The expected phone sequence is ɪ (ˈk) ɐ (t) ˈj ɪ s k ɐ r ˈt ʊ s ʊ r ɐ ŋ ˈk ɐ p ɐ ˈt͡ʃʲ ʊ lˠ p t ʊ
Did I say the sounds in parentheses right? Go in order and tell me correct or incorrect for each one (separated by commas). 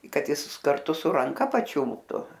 correct, correct